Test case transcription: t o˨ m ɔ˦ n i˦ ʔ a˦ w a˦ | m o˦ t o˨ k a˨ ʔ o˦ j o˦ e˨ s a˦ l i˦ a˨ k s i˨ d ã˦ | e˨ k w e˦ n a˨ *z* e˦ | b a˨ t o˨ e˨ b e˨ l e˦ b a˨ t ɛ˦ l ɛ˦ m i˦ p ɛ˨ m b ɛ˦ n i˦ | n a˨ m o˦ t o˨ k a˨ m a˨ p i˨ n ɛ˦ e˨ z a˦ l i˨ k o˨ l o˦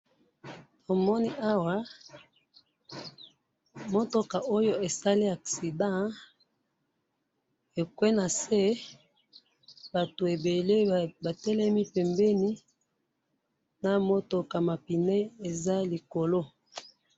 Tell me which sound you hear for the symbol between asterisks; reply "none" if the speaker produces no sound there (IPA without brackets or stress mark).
s